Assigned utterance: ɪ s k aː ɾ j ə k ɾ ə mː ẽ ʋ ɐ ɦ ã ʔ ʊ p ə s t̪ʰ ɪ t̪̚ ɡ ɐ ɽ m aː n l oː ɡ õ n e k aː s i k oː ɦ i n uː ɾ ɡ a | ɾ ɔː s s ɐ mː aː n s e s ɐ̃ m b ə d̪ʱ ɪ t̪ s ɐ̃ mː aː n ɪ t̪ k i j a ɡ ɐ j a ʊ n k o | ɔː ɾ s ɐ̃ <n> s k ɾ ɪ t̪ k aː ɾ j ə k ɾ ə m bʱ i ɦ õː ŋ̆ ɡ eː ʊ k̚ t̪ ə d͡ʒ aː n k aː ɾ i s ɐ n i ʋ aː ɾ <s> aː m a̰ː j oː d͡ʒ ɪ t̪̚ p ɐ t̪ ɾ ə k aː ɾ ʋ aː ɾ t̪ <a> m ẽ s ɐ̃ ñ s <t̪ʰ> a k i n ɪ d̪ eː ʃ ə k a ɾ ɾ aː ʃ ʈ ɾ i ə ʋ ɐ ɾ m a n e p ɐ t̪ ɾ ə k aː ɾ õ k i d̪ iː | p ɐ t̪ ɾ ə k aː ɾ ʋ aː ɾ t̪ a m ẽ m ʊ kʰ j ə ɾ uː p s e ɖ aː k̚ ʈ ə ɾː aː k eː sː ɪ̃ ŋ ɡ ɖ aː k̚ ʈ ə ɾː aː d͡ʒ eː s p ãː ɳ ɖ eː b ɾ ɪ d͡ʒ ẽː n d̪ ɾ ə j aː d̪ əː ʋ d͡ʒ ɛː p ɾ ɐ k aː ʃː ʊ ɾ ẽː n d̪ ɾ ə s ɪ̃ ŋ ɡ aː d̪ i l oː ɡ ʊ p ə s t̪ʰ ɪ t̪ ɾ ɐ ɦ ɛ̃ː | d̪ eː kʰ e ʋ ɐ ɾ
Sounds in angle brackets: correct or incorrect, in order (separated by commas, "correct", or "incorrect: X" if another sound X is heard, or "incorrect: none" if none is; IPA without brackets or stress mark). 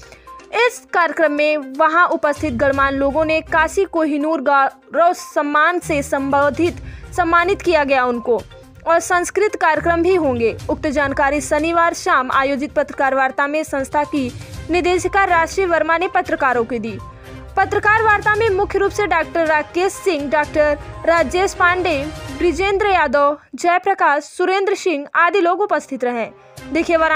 correct, incorrect: ʃ, correct, correct